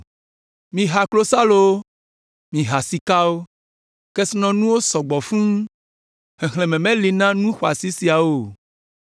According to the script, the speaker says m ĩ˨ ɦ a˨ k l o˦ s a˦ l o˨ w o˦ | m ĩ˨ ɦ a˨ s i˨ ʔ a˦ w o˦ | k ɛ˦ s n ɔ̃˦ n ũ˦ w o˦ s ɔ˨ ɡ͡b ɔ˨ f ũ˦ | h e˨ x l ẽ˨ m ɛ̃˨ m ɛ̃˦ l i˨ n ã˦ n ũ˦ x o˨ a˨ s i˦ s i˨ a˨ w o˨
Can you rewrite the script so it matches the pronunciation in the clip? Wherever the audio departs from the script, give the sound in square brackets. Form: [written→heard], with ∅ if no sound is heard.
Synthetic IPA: m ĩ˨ ɦ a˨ k l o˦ s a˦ l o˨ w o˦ | m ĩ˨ ɦ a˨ s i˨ [ʔ→k] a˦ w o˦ | k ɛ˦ s n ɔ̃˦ n ũ˦ w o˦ s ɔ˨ ɡ͡b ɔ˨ f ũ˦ | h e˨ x l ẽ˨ m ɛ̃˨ m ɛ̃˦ l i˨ n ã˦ n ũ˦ x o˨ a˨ s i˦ s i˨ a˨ w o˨